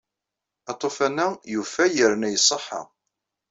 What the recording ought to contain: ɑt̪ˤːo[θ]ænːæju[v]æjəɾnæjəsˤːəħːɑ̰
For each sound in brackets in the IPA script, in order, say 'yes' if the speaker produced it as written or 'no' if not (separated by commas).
no, no